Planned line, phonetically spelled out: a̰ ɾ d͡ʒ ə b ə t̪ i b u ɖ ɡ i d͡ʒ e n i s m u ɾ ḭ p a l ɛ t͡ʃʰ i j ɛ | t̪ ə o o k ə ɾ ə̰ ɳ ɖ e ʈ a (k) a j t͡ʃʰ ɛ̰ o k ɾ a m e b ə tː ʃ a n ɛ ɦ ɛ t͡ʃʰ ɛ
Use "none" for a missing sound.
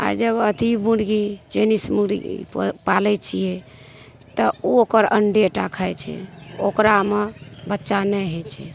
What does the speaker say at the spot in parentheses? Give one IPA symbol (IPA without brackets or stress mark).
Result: kʰ